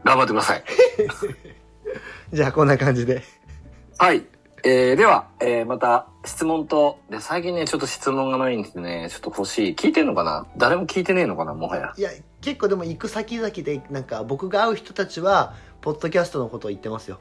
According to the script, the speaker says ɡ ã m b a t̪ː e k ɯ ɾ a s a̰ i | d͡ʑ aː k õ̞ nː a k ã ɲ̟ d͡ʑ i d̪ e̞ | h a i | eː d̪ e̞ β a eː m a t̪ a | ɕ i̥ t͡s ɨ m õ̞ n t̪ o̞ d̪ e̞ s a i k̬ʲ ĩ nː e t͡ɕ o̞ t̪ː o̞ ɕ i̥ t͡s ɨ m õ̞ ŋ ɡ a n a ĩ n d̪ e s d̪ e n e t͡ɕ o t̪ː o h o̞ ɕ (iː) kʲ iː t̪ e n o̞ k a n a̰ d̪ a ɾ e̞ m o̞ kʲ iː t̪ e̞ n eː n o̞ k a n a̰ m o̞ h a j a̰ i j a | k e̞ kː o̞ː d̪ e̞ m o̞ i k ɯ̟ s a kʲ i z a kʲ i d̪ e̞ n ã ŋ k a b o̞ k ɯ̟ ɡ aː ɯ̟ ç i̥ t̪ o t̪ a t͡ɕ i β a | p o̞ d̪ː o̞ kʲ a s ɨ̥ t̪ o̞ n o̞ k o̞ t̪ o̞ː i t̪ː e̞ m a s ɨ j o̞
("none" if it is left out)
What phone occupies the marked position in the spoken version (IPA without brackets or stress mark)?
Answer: iː